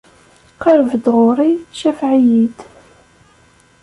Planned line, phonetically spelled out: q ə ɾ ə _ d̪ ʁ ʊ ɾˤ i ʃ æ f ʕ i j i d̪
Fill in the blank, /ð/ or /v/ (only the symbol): v